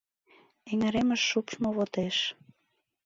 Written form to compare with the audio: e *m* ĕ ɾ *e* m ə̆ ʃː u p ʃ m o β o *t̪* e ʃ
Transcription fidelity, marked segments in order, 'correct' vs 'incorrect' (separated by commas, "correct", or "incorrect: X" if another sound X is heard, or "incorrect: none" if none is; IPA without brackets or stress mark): incorrect: ŋ, correct, correct